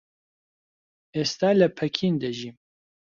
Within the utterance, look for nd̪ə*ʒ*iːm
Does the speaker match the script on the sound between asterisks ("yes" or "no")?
yes